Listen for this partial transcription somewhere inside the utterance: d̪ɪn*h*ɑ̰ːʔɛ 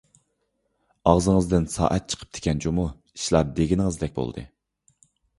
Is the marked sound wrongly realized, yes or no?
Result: yes